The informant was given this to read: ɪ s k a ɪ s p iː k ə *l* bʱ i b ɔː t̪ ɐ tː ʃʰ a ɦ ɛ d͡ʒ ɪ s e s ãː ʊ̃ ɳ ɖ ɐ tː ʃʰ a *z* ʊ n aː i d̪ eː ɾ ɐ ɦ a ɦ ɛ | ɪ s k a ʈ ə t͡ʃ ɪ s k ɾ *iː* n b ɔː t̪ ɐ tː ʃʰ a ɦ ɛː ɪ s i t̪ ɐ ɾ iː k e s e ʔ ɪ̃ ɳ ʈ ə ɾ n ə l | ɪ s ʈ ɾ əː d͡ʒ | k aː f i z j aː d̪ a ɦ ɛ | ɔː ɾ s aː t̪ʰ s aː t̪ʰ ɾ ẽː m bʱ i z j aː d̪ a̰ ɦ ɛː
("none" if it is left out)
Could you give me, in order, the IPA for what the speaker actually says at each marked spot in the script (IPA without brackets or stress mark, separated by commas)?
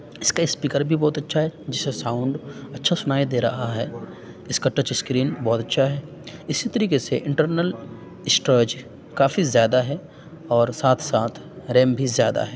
ɾ, s, iː